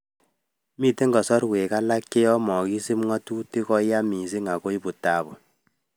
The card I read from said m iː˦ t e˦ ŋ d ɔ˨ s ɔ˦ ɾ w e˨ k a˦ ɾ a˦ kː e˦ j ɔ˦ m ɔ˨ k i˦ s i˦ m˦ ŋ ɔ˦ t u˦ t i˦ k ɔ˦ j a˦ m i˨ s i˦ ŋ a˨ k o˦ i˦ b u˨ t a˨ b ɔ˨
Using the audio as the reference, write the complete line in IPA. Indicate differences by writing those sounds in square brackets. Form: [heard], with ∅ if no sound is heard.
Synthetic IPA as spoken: m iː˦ t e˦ ŋ [ɡ] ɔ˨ s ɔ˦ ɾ w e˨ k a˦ [l] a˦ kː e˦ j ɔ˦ m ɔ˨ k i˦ s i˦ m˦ ŋ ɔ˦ t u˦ t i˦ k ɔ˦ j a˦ m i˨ s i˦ ŋ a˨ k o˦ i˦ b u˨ t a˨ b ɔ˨